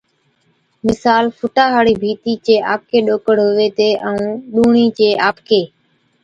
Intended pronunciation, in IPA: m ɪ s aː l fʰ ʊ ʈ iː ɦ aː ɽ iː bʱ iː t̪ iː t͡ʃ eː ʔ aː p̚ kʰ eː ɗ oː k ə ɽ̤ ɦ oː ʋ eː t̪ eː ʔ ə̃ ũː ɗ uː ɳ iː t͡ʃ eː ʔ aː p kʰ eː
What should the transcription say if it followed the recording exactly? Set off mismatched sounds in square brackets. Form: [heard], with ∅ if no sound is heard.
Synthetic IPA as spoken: m ɪ s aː l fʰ ʊ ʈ [aː] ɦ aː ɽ iː bʱ iː t̪ iː t͡ʃ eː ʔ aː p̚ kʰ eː ɗ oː k ə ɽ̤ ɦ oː ʋ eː t̪ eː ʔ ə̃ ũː ɗ uː ɳ iː t͡ʃ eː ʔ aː p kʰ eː

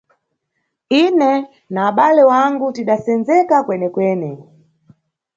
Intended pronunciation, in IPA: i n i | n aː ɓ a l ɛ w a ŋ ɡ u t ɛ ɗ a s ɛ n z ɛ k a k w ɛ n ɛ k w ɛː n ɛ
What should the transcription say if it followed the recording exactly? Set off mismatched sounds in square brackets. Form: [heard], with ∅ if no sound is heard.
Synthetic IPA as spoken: i n [ɛ] | n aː ɓ a l ɛ w a ŋ ɡ u t [i] ɗ a s ɛ n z ɛ k a k w ɛ n ɛ k w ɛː n ɛ

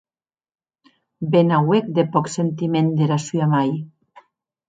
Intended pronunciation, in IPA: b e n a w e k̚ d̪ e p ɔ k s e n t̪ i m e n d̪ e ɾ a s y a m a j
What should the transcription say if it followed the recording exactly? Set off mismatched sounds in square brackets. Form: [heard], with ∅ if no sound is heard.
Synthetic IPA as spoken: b e n a w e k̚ d̪ e p ɔ k s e n t̪ i m e n d̪ e ɾ a s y a m a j

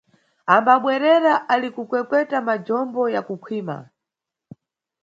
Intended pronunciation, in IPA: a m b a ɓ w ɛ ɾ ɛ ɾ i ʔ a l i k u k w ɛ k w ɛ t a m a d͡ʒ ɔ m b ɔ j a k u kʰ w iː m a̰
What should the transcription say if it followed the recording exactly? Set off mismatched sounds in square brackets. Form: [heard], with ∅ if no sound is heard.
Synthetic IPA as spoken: a m b a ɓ w ɛ ɾ ɛ ɾ [a] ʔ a l i k u k w ɛ k w ɛ t a m a d͡ʒ ɔ m b ɔ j a k u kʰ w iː m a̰

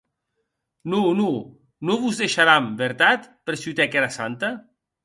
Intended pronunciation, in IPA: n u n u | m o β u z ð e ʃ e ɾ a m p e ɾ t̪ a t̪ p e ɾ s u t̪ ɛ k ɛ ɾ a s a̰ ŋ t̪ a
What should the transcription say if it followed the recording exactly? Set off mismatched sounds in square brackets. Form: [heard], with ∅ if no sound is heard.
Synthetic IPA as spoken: n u n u | [n] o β u z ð e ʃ [a] ɾ a m [b] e ɾ t̪ a t̪ p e ɾ s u t̪ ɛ k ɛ ɾ a s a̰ [n] t̪ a

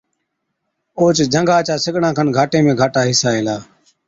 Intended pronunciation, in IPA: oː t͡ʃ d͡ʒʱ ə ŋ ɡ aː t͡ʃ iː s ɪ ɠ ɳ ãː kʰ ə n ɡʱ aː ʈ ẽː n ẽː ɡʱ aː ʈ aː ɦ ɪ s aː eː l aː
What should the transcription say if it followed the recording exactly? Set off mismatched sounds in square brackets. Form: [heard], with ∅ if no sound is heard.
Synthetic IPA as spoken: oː t͡ʃ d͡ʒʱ ə ŋ ɡ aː t͡ʃ [aː] s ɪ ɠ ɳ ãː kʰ ə n ɡʱ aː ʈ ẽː [m] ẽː ɡʱ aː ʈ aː ɦ ɪ s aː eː l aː

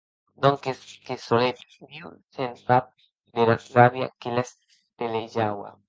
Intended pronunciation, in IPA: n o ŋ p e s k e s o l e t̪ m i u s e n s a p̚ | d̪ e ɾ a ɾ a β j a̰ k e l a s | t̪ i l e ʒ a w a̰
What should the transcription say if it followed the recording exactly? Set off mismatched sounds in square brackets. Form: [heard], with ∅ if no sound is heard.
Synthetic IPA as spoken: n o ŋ [k] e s k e s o l e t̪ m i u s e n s a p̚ | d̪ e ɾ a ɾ a β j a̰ k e l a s | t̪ [e] l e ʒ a w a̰

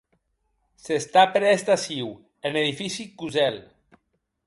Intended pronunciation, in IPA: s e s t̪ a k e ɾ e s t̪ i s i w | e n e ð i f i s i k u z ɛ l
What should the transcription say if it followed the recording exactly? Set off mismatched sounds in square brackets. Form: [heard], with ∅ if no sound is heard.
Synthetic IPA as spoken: s e s t̪ a [p] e ɾ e s t̪ [a] s i w | e n e ð i f i s i k u z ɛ l

